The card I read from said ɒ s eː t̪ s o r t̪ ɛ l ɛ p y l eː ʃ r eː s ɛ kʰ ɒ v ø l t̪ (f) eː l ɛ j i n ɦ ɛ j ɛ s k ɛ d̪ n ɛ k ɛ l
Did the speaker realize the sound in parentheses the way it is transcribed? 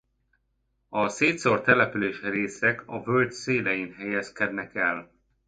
no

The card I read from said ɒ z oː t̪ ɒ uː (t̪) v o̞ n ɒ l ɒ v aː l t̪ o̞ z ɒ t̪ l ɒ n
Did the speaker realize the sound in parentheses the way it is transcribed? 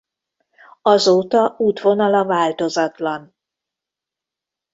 yes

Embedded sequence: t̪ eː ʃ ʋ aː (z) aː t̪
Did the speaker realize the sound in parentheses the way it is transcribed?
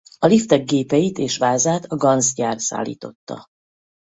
yes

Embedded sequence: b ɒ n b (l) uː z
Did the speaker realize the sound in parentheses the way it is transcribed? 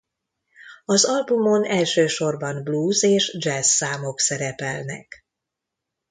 yes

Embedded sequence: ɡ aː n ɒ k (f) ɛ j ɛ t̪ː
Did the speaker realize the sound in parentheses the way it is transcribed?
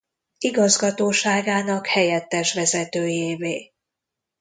no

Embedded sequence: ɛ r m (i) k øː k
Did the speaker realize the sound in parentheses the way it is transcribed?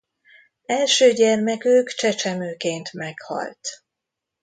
no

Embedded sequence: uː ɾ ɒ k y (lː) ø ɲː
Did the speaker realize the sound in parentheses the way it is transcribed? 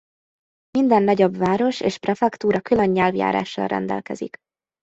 no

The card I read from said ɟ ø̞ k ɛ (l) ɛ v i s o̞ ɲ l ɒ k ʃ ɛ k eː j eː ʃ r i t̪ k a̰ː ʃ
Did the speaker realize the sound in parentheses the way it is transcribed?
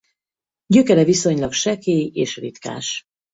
no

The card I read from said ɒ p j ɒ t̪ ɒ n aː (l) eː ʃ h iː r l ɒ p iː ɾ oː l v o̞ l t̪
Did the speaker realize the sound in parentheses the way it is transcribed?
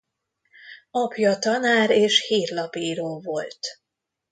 no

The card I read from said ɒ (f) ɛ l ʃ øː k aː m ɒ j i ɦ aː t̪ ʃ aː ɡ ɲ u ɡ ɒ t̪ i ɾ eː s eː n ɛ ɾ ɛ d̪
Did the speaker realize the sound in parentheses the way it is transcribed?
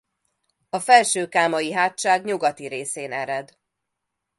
yes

